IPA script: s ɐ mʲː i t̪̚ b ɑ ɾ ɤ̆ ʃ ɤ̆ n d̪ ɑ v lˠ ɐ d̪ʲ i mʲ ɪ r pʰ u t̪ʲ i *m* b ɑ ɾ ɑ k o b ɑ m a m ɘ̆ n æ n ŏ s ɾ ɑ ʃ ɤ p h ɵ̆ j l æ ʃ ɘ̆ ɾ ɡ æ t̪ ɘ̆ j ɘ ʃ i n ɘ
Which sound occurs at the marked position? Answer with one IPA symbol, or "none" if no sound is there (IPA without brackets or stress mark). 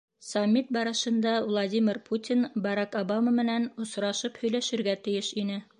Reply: n